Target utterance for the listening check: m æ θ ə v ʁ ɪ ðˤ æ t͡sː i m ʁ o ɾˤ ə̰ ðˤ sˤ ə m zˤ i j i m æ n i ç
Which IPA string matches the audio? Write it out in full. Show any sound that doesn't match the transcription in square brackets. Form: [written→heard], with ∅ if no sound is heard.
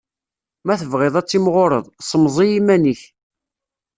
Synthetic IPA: m æ θ ə v ʁ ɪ ðˤ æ t͡sː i m ʁ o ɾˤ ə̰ ðˤ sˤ ə m zˤ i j i m æ n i ç